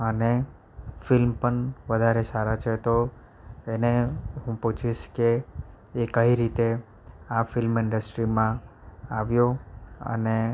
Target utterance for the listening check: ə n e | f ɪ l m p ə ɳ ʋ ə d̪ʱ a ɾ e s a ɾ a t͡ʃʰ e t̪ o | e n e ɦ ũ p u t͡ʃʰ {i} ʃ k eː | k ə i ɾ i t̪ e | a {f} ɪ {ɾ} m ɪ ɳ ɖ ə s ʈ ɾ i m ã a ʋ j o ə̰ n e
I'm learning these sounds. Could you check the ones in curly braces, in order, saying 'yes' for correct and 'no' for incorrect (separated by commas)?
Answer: yes, yes, no